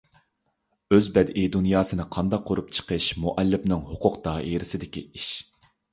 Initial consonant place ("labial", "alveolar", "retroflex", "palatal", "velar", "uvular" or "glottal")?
alveolar